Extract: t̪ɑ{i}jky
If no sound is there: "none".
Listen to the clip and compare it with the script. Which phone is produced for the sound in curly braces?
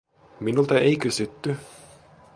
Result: e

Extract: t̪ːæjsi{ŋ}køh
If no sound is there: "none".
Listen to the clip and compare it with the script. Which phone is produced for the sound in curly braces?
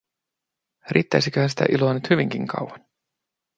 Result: none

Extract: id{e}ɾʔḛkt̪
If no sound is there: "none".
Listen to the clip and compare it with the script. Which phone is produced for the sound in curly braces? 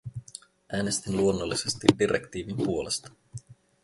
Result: i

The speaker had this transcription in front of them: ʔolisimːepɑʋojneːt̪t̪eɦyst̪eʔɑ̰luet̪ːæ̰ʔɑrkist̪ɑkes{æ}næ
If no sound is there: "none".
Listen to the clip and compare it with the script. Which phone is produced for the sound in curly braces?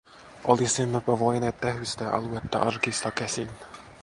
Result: i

